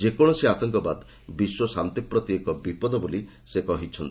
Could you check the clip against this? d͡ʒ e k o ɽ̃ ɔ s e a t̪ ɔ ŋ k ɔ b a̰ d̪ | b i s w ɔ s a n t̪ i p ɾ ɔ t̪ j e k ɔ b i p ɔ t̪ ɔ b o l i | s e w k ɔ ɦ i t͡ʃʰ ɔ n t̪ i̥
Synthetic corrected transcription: d͡ʒ e k ɔ ɽ̃ ɔ s e a t̪ ɔ ŋ k ɔ b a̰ d̪ | b i s w ɔ s a n t̪ i p ɾ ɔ t̪ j e k ɔ b i p ɔ d̪ ɔ b o l i | s e k ɔ ɦ i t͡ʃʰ ɔ n t̪ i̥